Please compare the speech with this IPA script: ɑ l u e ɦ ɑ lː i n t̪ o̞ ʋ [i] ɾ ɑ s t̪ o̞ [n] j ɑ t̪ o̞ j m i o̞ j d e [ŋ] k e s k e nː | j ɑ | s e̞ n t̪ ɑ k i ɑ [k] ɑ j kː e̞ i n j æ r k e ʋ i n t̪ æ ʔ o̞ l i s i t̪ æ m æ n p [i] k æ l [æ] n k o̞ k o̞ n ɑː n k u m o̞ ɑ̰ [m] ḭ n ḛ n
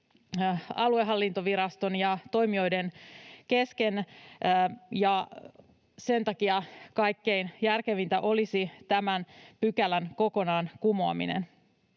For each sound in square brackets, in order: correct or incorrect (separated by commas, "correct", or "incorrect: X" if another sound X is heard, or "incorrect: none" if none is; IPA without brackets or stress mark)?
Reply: correct, correct, incorrect: n, correct, incorrect: y, correct, correct